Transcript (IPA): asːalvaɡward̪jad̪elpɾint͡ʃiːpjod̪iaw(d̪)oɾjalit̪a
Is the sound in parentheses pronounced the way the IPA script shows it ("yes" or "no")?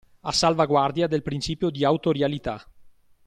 no